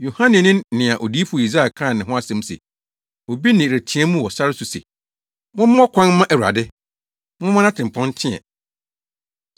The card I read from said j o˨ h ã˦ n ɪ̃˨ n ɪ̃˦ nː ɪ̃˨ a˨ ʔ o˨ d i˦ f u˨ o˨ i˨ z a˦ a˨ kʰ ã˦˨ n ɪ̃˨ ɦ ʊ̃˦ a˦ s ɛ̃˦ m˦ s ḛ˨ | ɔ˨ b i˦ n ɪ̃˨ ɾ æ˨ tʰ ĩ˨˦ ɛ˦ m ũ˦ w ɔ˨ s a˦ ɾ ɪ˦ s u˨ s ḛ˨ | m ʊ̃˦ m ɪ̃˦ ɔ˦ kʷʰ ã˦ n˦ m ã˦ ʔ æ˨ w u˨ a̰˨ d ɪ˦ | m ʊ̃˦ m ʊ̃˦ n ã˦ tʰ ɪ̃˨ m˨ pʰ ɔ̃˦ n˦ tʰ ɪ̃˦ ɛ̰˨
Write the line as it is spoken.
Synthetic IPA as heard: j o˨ h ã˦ n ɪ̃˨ n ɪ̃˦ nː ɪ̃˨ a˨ ʔ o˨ d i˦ f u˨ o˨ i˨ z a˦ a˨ kʰ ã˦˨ n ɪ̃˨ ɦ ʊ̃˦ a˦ s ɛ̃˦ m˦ s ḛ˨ | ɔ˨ b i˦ n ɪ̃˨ ɾ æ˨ tʰ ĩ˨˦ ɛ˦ m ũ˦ w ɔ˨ s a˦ ɾ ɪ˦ s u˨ s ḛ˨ | m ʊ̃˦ m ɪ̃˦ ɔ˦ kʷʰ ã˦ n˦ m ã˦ ʔ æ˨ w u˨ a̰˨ d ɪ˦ | m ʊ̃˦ m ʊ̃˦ n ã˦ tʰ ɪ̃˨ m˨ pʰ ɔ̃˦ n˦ tʰ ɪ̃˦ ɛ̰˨